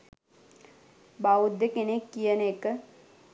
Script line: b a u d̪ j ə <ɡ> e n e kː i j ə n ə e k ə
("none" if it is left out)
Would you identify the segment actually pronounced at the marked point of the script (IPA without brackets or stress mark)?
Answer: k